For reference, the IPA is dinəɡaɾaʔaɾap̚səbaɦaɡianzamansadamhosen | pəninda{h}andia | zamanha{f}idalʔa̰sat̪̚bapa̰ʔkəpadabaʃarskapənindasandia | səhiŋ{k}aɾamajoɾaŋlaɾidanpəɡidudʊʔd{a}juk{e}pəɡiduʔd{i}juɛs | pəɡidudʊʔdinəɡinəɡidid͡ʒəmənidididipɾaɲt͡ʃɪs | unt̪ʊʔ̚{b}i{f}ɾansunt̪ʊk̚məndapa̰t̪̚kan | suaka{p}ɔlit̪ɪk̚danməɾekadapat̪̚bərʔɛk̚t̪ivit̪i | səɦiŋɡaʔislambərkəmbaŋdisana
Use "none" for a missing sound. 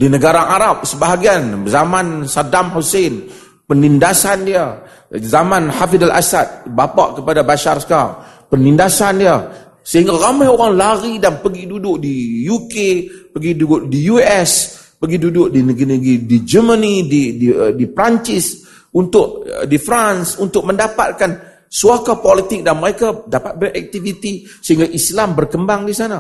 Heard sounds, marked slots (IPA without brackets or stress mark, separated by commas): s, f, ɡ, i, e, i, d, f, p